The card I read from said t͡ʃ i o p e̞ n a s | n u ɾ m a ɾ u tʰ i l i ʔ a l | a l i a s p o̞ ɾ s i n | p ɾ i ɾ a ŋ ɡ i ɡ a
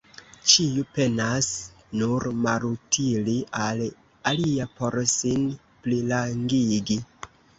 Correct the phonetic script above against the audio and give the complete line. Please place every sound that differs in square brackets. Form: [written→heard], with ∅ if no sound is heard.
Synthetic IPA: t͡ʃ i [o→u] p e̞ n a s | n u ɾ m a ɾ u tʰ i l i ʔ a l | a l i a [s→∅] p o̞ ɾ s i n | p [ɾ→l] i [ɾ→l] a ŋ ɡ i ɡ [a→i]